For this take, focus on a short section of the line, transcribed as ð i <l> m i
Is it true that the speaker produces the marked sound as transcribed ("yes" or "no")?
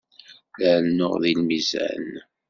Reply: yes